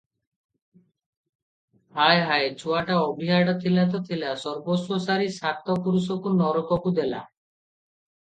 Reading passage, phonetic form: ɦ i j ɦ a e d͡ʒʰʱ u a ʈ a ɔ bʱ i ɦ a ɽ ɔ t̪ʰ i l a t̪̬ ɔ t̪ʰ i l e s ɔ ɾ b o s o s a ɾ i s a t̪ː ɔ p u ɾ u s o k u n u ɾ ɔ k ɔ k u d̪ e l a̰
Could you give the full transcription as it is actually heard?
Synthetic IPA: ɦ a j ɦ a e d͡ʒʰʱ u a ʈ a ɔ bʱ i ɦ a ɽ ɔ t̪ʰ i l a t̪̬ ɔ t̪ʰ i l a s ɔ ɾ b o s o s a ɾ i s a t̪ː ɔ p u ɾ u s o k u n ɔ ɾ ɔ k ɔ k u d̪ e l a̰